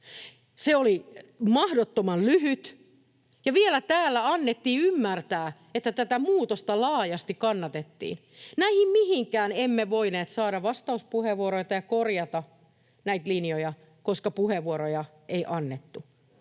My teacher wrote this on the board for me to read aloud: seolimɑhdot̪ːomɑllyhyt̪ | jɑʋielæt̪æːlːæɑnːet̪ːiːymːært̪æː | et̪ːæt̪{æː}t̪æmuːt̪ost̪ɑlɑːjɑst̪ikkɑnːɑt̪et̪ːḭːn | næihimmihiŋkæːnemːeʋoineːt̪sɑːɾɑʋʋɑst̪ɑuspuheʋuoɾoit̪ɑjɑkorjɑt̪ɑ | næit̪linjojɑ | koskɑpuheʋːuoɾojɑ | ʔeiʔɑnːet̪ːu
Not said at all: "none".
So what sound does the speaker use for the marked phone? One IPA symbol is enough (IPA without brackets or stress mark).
æ